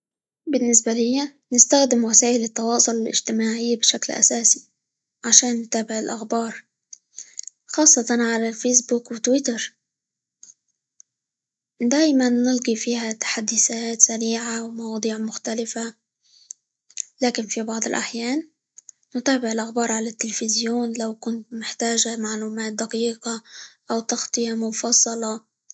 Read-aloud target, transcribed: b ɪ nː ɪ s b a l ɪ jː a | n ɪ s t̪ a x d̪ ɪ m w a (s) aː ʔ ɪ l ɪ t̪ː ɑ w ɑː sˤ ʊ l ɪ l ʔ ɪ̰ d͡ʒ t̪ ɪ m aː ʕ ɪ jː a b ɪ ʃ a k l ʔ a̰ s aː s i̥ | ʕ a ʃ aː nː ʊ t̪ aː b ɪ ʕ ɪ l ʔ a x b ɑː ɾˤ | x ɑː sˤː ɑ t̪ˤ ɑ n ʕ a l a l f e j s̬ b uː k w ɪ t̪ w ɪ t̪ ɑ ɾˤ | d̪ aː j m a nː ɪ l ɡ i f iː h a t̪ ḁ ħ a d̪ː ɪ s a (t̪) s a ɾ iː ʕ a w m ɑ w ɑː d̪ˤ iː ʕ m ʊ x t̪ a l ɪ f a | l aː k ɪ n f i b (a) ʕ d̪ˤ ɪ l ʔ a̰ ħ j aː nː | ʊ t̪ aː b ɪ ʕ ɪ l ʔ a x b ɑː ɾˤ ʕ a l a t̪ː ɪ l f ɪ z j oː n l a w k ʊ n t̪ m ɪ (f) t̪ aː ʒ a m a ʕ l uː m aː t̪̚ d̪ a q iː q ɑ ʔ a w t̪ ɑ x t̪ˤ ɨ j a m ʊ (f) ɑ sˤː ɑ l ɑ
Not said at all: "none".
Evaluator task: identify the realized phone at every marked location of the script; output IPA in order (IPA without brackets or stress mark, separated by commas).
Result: s, t̪, ɑ, ħ, f